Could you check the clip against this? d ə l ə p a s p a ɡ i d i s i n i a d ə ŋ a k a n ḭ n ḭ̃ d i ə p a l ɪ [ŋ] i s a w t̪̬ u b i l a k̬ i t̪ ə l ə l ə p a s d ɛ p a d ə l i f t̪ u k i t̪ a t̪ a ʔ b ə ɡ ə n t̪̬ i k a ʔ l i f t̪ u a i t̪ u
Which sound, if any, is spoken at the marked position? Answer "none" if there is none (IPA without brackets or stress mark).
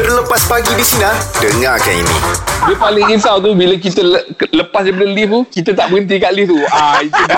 ŋ